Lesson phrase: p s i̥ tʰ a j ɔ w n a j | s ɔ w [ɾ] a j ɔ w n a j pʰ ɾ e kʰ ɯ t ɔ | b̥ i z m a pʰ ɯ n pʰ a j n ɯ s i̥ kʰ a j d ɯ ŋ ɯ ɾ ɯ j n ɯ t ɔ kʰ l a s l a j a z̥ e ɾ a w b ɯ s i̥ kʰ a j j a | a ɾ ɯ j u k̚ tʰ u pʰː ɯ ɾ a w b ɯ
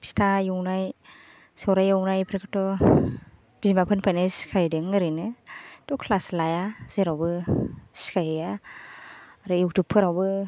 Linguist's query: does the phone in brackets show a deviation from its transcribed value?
no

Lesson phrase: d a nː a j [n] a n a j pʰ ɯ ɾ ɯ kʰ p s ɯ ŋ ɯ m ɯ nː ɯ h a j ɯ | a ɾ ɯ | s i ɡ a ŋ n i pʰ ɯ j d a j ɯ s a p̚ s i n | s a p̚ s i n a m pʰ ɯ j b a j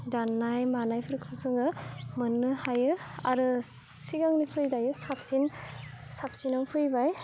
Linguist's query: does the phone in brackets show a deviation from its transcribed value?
yes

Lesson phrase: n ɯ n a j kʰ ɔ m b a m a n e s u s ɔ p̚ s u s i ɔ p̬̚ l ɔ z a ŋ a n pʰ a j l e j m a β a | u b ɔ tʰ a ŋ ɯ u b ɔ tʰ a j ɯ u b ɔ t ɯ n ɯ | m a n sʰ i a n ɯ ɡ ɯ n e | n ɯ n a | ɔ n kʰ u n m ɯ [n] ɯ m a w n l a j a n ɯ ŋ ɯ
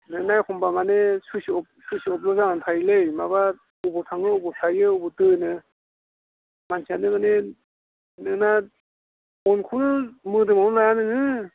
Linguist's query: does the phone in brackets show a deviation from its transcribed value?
yes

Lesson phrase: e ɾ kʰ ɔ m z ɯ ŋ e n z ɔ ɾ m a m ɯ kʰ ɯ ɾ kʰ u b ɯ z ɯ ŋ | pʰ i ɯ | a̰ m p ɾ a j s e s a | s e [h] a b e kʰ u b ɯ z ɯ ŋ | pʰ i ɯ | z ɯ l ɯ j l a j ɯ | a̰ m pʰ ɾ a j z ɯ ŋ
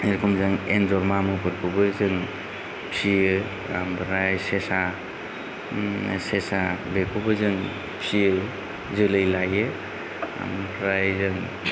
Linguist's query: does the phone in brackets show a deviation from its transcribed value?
yes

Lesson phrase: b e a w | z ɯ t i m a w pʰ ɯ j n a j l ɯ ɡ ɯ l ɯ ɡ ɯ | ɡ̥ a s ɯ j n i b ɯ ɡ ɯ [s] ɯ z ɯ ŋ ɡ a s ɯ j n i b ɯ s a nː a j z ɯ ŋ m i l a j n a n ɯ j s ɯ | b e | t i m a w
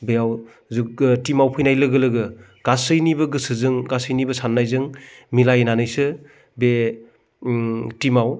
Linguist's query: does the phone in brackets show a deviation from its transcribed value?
no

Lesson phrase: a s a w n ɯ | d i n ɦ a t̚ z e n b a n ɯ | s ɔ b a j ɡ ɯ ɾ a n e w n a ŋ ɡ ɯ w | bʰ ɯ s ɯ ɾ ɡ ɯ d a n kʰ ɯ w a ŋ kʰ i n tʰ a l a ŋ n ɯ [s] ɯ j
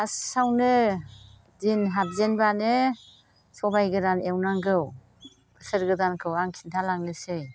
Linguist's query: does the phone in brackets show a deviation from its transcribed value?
no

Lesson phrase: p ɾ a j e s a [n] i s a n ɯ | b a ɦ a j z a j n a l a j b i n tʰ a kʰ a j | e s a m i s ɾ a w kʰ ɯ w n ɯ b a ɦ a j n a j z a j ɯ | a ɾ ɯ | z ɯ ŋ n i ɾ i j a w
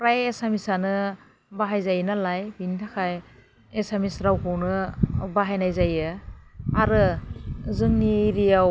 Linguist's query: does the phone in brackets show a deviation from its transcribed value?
yes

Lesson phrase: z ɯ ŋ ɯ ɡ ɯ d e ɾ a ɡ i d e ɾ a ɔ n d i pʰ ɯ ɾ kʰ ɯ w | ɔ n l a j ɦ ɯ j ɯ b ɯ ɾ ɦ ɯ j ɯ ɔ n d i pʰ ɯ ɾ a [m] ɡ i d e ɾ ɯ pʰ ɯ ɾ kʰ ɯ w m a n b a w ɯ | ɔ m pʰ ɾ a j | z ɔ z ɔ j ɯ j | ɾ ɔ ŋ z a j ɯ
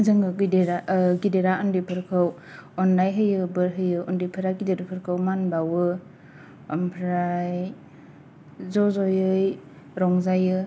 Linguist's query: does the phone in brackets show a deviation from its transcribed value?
yes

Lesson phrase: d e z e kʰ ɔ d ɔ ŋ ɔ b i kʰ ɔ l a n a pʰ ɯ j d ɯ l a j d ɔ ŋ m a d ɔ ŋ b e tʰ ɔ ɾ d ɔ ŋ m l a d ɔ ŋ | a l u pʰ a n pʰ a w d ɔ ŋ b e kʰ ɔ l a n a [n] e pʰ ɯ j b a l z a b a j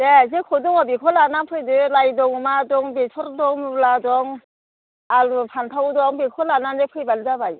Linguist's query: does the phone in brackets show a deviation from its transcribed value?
no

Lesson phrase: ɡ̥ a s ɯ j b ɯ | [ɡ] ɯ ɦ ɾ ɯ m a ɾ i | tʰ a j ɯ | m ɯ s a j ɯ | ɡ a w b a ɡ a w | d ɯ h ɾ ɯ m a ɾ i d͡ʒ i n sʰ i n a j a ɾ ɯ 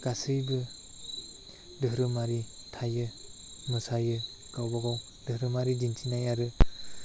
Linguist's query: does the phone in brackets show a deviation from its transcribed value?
yes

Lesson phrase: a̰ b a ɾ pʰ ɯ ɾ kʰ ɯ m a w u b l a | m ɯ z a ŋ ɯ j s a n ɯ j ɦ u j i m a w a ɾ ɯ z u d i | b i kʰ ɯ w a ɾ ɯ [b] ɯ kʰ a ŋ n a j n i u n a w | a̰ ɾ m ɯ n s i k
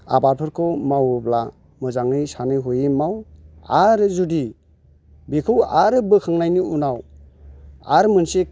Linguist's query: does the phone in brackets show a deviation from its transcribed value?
no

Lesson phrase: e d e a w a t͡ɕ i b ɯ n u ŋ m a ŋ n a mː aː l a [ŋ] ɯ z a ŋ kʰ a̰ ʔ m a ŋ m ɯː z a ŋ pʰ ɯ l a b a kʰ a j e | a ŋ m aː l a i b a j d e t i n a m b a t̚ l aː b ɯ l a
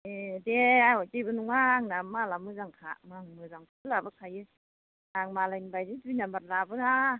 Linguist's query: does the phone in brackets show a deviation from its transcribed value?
yes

